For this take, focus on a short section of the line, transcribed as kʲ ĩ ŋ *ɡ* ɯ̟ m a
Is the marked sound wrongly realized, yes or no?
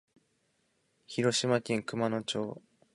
yes